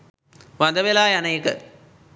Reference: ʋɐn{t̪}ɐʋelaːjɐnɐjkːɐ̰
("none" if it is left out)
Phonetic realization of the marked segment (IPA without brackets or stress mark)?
d̪